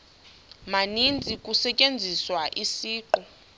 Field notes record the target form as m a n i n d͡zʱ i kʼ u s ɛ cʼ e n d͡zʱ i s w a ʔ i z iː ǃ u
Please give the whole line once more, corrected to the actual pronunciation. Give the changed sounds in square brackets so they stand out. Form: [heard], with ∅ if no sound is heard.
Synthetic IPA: m a n i n d͡zʱ i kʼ u s ɛ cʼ e n d͡zʱ i s w a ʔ i [s] iː ǃ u